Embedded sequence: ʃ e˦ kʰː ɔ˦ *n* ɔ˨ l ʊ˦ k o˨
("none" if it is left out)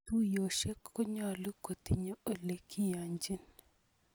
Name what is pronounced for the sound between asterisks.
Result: ɲ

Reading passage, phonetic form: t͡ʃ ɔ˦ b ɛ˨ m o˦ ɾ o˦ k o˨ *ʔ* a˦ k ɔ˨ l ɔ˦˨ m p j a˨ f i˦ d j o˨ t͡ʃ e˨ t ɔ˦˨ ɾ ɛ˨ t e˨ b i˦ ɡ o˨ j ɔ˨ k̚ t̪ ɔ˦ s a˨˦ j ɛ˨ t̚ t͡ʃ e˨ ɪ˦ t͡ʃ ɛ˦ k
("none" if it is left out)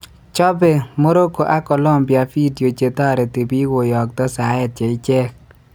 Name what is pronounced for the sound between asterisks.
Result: ʔ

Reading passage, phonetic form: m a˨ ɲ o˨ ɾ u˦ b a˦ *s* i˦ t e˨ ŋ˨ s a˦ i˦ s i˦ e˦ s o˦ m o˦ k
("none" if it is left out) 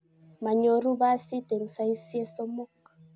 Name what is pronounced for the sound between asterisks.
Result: s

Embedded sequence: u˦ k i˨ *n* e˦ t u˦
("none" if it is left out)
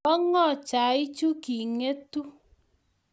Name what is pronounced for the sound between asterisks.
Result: ŋ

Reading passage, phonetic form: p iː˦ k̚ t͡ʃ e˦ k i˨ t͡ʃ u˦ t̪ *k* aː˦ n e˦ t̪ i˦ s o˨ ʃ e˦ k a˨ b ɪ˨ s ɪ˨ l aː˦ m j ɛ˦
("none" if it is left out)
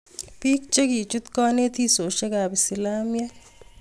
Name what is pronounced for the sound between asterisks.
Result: k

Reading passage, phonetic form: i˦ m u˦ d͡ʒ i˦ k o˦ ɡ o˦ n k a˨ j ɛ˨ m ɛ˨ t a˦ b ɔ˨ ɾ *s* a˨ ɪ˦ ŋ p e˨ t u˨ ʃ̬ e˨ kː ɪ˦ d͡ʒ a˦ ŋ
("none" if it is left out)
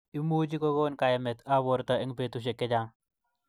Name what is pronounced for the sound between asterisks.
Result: t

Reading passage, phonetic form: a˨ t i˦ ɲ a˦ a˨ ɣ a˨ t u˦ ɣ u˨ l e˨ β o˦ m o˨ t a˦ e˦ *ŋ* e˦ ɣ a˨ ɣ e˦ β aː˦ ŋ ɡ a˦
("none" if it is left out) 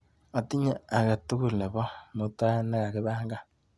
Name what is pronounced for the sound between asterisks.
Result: n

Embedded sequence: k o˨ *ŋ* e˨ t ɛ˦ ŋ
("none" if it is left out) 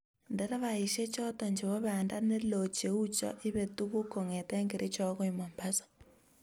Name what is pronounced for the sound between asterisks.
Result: ŋ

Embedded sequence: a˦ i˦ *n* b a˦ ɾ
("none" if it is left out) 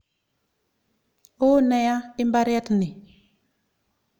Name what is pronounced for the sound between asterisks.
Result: m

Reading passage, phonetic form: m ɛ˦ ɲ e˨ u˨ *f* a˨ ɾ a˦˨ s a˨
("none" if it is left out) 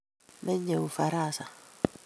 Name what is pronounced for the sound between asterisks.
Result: f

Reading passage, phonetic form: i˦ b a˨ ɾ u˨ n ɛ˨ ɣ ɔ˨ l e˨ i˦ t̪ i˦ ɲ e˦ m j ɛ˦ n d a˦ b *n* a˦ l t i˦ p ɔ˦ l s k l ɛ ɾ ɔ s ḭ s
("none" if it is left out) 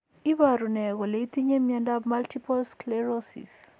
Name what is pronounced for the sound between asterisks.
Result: m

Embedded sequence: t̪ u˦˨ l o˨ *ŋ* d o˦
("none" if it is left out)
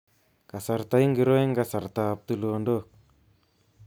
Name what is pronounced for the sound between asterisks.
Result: n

